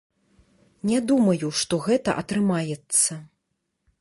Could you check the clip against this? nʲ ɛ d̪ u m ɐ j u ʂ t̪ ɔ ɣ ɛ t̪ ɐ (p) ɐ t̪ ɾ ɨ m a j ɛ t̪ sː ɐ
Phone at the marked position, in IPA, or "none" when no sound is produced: ʔ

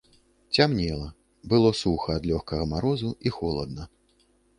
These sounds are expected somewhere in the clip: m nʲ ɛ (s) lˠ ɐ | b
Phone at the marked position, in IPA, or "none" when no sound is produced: none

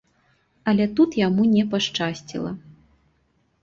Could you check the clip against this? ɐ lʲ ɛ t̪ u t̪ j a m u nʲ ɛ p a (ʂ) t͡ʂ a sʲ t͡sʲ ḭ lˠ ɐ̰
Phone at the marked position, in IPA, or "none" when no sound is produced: ʂ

